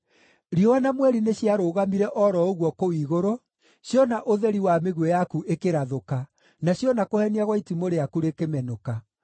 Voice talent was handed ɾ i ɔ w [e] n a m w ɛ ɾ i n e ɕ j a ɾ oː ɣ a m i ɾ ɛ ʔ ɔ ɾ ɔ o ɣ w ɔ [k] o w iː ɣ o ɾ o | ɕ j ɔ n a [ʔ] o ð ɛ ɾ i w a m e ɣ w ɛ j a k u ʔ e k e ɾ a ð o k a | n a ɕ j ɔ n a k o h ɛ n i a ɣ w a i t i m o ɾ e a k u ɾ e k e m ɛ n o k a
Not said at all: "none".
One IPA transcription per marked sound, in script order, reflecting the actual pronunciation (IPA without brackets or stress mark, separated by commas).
a, k, ʔ